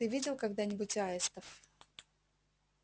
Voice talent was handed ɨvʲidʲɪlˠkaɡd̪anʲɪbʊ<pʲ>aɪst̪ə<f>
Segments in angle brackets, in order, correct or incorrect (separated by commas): incorrect, correct